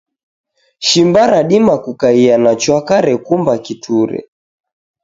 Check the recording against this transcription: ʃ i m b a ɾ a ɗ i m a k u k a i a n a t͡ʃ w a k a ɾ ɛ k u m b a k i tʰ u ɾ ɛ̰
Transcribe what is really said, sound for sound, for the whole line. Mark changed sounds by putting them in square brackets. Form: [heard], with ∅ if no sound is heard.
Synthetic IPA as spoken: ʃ i m b a ɾ a ɗ i m a k u k a i a n a t͡ʃ w a k a ɾ ɛ k u m b a k i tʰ u ɾ ɛ̰